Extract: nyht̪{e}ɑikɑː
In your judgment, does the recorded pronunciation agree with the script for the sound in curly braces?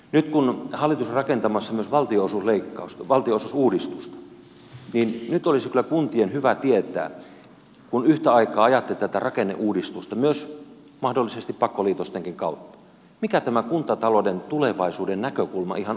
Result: no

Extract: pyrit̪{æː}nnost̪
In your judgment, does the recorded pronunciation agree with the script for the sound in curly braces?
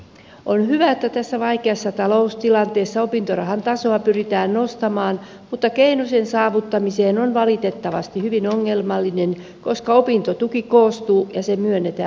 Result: yes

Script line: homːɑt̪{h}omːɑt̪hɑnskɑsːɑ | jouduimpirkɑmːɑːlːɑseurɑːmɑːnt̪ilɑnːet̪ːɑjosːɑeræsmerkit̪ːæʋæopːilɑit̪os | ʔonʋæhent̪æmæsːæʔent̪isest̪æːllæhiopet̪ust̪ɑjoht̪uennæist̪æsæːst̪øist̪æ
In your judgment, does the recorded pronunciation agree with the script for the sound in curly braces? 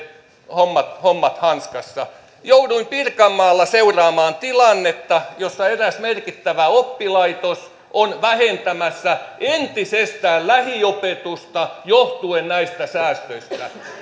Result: yes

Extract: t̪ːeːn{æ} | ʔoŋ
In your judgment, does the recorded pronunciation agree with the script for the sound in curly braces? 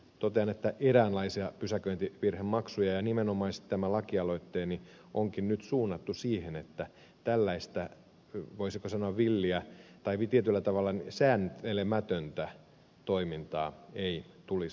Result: no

